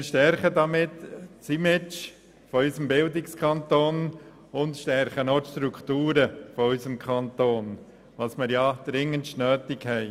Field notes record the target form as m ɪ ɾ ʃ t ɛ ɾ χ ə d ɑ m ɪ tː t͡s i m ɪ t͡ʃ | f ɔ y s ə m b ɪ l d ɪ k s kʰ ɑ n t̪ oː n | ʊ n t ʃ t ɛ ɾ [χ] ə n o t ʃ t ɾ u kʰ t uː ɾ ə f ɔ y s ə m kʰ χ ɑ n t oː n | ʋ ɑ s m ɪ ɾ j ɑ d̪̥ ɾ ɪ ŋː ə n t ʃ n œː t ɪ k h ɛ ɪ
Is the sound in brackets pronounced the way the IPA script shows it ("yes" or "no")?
yes